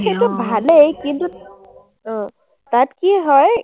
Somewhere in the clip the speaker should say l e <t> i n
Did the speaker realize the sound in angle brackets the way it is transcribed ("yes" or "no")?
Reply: no